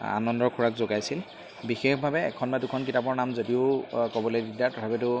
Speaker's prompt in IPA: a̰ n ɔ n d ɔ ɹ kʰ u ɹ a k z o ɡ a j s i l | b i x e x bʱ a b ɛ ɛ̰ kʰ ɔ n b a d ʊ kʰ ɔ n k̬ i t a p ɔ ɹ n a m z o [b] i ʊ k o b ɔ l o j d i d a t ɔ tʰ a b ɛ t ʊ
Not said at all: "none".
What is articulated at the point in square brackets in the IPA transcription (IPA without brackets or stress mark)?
d